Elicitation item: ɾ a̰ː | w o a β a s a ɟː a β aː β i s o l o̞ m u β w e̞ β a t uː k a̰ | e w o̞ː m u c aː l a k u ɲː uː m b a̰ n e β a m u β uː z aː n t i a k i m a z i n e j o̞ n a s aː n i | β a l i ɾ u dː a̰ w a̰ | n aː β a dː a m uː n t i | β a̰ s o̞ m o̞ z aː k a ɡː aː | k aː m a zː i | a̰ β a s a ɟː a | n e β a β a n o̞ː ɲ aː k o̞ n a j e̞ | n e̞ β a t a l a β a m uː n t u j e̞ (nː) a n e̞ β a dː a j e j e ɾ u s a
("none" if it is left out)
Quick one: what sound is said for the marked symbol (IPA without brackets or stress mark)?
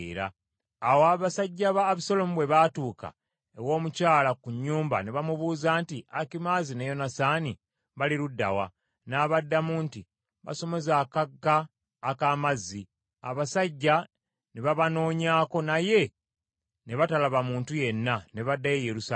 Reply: nː